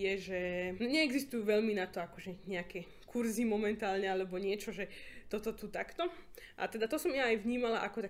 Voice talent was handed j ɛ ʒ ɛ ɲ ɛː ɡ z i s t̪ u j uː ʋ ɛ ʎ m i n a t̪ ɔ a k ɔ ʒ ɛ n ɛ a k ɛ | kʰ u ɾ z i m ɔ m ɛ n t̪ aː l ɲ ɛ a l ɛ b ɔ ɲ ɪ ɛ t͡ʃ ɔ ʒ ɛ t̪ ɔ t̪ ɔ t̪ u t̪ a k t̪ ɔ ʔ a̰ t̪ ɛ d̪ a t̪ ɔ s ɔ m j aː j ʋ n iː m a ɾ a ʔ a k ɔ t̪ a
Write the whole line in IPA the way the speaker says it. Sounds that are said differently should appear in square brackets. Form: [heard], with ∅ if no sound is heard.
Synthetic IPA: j ɛ ʒ ɛ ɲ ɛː ɡ z i s t̪ u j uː ʋ ɛ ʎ m i n a t̪ ɔ a k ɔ ʒ ɛ [ɲ] ɛ a k ɛ | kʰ u ɾ z i m ɔ m ɛ n t̪ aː l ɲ ɛ a l ɛ b ɔ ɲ ɪ ɛ t͡ʃ ɔ ʒ ɛ t̪ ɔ t̪ ɔ t̪ u t̪ a k t̪ ɔ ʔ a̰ t̪ ɛ d̪ a t̪ ɔ s ɔ m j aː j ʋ [ɲ] iː m a [l] a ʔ a k ɔ t̪ a